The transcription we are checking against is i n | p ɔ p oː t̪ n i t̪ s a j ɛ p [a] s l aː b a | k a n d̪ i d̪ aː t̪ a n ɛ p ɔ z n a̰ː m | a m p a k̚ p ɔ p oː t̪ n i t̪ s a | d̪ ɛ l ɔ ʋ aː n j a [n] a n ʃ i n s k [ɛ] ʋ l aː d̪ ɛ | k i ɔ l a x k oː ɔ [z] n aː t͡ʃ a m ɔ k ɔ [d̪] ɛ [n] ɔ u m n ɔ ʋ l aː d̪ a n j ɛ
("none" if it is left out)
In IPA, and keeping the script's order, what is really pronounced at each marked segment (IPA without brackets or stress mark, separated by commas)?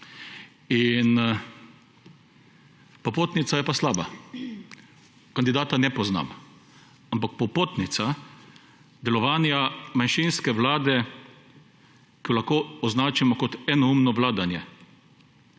a, m, ɛ, z, t̪, n